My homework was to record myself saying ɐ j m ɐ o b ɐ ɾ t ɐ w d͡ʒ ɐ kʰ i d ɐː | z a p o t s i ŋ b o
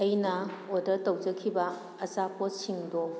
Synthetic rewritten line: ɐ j n ɐ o d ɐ ɾ t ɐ w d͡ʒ ɐ kʰ i b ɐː | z a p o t s i ŋ d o